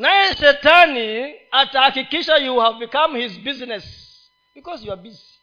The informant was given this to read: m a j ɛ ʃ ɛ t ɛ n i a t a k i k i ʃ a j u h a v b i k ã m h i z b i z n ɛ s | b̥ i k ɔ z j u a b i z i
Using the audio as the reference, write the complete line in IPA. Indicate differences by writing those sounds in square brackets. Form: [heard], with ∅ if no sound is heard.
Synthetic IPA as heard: [n] a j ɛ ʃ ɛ t [a] n i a t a k i k i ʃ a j u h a v b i k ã m h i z b i z n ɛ s | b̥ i k ɔ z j u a b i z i